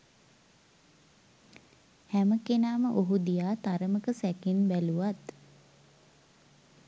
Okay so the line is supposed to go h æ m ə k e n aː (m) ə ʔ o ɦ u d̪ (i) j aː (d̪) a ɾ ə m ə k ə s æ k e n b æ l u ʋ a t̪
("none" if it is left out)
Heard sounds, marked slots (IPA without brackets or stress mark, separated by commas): m, i, t̪